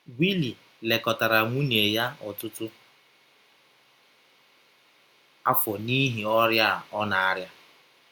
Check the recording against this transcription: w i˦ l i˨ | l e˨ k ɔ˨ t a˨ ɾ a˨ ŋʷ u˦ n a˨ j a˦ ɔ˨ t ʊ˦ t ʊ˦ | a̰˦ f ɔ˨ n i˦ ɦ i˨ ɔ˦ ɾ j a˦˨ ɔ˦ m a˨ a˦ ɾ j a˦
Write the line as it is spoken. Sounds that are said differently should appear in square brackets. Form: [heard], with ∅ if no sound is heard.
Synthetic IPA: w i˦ l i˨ | l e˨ k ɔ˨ t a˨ ɾ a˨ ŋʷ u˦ n [e˨] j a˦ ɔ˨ t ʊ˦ t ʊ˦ | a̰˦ f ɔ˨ n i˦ ɦ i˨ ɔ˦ ɾ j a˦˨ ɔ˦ [n] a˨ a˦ ɾ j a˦